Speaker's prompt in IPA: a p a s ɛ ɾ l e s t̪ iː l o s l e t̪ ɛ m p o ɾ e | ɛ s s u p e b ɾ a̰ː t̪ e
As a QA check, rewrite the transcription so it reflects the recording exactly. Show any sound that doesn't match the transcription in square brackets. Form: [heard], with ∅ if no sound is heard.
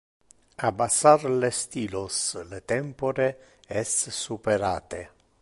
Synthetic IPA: a [b] a s [a] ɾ l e s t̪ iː l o s l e t̪ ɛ m p o ɾ e | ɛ s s u p e [∅] ɾ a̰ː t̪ e